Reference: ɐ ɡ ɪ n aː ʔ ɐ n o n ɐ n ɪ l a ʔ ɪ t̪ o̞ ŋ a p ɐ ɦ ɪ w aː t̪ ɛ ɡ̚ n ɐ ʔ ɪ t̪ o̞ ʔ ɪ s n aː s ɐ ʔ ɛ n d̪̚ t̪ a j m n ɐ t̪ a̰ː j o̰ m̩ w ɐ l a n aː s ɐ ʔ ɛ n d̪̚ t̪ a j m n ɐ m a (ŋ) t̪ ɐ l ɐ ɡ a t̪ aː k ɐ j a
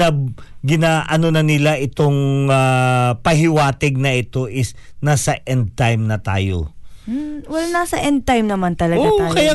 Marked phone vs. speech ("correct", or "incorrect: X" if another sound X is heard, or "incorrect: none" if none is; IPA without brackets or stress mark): incorrect: n